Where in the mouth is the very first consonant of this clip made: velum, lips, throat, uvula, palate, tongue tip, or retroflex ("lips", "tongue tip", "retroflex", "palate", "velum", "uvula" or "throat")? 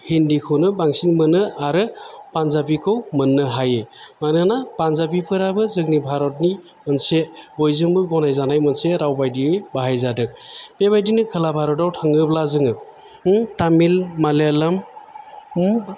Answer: throat